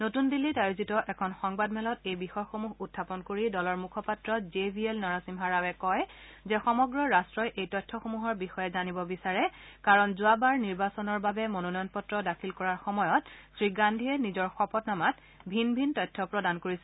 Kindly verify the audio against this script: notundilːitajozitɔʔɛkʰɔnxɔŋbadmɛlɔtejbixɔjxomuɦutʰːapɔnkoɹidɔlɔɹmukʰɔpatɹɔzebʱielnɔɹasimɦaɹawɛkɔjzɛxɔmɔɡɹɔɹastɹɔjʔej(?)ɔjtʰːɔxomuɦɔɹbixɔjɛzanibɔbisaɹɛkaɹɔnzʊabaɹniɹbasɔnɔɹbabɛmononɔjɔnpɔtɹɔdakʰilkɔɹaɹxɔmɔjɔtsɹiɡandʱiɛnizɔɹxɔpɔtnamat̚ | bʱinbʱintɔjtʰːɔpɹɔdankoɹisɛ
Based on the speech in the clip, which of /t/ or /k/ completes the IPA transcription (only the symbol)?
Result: t